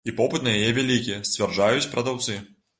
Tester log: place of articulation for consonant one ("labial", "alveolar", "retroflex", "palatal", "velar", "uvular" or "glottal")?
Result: labial